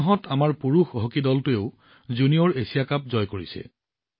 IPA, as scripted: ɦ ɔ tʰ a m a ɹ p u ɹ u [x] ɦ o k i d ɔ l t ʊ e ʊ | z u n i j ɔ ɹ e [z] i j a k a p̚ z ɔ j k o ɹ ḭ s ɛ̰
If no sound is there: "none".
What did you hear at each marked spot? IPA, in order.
x, s

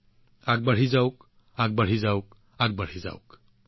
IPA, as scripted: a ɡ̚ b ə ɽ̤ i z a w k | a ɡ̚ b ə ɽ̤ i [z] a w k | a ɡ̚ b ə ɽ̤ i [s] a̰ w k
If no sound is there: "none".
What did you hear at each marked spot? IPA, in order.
z, z

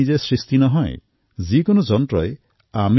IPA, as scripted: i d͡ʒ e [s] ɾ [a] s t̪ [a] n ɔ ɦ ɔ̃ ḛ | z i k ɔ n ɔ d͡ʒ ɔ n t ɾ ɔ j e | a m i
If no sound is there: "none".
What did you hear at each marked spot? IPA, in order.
s, i, i

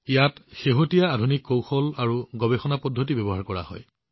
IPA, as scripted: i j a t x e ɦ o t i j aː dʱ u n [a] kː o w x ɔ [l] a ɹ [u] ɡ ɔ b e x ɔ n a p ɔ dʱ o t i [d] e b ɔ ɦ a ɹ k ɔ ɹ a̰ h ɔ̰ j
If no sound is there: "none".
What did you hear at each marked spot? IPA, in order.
i, l, u, b

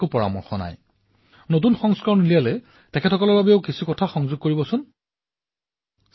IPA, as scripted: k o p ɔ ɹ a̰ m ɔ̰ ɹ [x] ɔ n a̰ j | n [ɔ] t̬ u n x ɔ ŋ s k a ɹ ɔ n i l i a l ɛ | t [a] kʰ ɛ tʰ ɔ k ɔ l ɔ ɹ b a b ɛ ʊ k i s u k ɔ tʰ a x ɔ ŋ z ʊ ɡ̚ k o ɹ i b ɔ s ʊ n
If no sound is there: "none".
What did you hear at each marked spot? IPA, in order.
x, o, ɛ

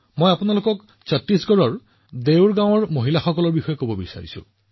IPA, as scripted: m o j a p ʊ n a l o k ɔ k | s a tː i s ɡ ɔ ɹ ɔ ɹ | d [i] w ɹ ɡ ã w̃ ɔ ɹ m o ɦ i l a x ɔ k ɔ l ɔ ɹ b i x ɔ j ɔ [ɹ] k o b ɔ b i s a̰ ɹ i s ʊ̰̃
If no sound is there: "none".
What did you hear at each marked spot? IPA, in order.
e, none

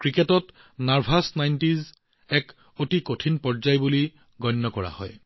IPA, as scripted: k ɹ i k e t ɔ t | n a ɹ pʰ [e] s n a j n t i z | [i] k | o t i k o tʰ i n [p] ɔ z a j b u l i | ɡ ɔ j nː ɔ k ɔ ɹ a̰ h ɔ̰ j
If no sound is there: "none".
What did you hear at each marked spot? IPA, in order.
a, ɛ, p

